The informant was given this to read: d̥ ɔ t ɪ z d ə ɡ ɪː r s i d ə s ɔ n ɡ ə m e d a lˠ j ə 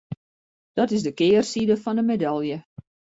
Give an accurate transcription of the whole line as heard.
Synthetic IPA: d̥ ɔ t ɪ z d ə k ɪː r s i d ə f ɔ n d ə m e d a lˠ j ə

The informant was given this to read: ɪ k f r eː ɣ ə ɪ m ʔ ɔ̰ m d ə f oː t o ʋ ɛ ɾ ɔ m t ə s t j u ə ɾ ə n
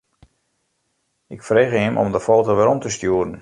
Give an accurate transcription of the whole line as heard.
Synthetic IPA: ɪ k f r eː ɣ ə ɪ m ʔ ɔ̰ m d ə f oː t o ʋ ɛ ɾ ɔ m t ə s t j u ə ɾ ə n

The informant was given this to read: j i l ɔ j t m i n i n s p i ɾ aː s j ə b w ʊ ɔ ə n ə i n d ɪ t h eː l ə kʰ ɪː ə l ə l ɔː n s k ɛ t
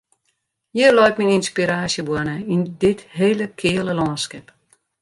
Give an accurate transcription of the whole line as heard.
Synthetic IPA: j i l ɔ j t m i n i n s p i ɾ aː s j ə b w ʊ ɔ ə n ə i n d ɪ t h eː l ə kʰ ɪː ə l ə l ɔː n s k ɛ p

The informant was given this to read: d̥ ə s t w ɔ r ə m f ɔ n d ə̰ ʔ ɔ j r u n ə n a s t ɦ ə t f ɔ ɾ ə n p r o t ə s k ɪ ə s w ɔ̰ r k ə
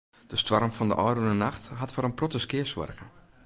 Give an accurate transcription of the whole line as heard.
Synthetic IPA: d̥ ə s t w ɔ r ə m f ɔ n d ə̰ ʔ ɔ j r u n ə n a x t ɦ a t f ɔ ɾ ə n p r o t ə s k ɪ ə s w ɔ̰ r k ə

